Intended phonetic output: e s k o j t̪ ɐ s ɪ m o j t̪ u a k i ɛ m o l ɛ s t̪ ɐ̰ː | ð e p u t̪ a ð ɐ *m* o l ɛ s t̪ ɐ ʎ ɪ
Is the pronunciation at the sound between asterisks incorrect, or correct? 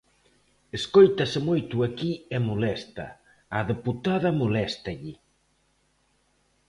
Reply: correct